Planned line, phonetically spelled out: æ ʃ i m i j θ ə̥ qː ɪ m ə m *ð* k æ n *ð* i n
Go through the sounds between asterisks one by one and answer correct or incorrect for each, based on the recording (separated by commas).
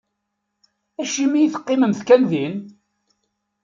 incorrect, correct